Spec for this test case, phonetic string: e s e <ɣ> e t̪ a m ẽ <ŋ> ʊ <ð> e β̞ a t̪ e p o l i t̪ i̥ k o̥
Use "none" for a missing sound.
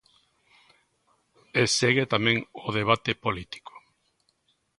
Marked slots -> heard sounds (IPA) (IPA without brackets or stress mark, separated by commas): ɣ, ŋ, ð